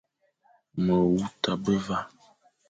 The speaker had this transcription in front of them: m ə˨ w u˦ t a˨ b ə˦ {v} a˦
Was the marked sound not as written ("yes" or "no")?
no